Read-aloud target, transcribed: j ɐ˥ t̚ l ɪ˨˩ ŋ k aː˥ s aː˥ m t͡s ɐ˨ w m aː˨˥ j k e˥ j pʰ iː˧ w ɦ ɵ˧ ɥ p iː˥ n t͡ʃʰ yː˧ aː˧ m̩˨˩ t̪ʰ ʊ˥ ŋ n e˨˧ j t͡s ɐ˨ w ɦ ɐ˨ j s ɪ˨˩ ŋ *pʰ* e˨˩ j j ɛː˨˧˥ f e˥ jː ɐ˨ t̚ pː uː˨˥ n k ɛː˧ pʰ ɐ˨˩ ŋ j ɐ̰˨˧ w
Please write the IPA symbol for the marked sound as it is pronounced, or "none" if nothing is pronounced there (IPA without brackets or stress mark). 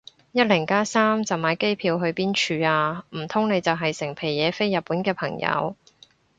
pʰ